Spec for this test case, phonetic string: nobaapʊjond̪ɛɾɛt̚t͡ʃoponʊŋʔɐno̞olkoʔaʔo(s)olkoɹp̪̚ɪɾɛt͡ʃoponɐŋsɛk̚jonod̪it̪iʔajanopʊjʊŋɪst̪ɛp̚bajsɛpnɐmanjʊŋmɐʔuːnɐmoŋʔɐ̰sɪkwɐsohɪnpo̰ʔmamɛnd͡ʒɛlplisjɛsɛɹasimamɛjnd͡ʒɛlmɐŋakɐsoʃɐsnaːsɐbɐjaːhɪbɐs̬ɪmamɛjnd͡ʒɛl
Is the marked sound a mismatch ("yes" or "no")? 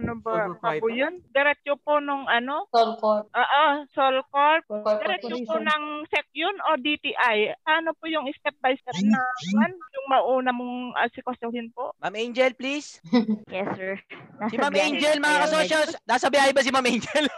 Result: no